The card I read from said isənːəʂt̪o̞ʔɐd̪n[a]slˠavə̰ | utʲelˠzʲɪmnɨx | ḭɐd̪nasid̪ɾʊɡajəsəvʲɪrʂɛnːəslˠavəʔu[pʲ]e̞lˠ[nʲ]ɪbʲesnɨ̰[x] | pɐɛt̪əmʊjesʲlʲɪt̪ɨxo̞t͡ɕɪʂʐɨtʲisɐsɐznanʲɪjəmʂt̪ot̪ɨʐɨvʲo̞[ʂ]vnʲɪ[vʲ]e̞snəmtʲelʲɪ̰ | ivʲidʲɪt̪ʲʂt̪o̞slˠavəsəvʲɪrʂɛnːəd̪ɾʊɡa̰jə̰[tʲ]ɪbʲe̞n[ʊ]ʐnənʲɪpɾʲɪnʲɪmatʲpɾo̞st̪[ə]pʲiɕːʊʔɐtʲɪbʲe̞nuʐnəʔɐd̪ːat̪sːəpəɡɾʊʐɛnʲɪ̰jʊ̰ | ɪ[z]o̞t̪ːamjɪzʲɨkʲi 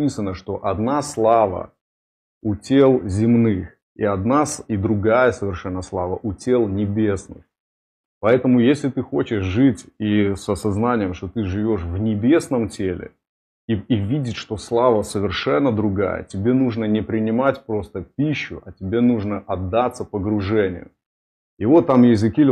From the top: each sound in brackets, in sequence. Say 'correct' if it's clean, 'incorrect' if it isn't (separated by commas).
correct, incorrect, correct, correct, correct, incorrect, correct, incorrect, correct, incorrect